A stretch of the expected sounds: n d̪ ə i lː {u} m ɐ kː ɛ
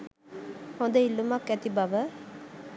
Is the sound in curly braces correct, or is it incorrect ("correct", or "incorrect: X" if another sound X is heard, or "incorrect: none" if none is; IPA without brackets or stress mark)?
correct